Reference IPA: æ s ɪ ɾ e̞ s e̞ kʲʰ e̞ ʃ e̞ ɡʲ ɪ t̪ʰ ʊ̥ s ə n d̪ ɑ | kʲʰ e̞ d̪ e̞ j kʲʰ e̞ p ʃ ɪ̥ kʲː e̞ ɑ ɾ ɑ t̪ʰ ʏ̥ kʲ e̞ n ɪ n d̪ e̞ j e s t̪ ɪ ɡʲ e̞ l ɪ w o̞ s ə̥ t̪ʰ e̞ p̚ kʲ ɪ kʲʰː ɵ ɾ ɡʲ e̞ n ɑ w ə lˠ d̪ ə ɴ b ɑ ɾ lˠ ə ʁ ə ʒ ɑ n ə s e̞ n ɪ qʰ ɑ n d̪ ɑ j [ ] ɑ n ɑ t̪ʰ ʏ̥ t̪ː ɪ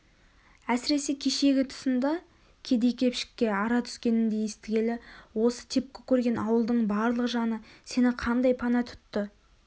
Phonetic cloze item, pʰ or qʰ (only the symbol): pʰ